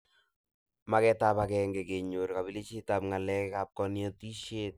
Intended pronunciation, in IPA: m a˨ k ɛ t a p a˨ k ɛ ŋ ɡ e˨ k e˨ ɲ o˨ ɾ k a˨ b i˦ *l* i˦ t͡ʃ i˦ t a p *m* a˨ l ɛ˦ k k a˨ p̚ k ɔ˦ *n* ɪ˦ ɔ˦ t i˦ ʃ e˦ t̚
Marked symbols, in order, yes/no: yes, no, yes

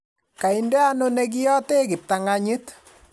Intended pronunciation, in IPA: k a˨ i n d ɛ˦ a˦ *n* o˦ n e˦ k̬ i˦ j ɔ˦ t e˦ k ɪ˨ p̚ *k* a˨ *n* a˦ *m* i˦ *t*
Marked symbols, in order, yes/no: yes, no, no, no, yes

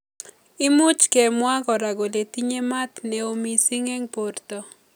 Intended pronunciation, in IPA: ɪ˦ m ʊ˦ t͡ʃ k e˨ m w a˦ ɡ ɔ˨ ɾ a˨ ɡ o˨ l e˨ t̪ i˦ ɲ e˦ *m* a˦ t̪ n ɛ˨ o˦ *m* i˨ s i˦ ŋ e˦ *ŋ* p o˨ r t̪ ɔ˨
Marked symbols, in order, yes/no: yes, yes, yes

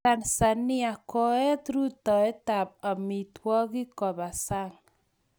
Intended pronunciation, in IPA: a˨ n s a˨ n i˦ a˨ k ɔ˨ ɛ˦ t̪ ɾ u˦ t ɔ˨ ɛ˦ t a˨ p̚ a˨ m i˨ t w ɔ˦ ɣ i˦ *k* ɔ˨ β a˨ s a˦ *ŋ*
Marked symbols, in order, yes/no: yes, yes

